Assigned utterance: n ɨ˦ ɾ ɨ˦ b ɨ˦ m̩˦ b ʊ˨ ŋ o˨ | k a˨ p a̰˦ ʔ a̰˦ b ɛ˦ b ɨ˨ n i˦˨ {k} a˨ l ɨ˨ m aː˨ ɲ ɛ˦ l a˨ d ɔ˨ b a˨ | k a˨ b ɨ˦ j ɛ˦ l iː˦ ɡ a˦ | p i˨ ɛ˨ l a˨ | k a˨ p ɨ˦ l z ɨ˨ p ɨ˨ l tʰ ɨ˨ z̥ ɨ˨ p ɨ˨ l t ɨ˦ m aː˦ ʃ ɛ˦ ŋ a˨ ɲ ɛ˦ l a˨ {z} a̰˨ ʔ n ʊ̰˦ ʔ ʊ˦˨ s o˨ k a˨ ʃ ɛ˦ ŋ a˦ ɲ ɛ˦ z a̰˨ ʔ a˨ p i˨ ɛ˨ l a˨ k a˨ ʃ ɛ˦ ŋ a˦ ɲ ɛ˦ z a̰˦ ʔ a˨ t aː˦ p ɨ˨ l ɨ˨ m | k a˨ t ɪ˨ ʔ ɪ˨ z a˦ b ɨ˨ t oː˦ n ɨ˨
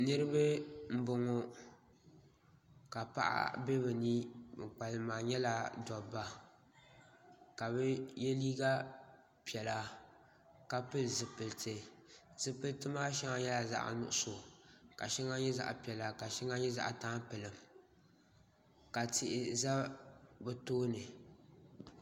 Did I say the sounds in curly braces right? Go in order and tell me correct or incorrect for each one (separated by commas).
incorrect, correct